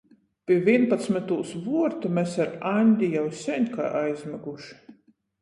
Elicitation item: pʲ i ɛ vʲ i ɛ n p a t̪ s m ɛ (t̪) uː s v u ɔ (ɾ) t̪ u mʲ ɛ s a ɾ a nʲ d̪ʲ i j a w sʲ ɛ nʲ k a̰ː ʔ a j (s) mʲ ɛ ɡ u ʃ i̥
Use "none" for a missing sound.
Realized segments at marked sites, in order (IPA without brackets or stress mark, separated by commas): t̪, ɾ, z